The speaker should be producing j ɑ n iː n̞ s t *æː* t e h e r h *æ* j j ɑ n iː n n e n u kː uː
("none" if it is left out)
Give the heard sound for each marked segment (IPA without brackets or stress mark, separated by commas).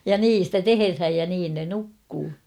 æ, æ